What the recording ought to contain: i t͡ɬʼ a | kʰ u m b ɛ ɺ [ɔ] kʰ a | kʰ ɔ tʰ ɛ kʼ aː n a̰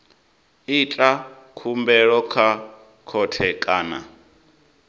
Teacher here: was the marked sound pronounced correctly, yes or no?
yes